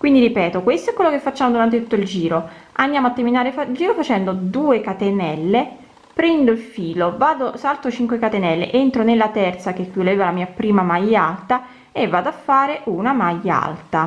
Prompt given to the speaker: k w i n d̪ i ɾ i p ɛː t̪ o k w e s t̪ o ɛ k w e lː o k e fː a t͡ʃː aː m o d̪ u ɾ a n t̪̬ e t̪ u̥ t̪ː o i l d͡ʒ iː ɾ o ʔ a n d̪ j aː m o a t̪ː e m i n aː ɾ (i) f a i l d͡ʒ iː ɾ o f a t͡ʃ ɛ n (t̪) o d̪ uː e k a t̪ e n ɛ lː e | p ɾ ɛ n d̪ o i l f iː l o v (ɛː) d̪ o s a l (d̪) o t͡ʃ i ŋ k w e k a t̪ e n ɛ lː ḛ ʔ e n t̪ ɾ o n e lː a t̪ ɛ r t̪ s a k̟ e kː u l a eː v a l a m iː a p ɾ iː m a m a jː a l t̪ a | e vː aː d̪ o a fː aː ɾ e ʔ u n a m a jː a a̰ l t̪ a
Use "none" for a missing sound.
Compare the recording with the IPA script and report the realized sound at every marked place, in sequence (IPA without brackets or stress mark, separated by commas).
e, d̪, aː, t̪